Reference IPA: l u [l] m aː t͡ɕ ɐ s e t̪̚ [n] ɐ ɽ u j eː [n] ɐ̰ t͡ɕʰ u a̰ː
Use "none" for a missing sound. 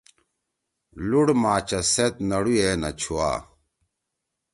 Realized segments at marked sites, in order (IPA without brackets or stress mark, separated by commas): ɽ, n, n